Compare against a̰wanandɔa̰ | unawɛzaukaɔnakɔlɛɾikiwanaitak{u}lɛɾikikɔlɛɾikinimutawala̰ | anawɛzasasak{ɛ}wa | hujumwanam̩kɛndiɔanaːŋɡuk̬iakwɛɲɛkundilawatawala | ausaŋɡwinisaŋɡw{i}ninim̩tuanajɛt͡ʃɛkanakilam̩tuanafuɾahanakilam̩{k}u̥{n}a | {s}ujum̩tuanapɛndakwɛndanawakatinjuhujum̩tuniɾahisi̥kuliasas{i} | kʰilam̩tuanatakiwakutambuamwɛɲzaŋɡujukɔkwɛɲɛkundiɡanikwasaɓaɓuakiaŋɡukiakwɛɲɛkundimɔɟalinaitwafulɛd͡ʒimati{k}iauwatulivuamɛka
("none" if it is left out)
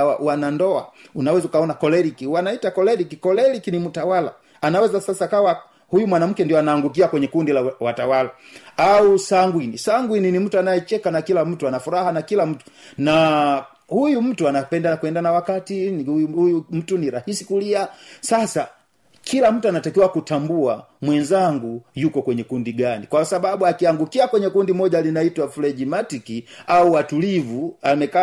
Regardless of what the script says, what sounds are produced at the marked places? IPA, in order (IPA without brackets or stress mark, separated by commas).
ɔ, a, i, t, n, h, a, k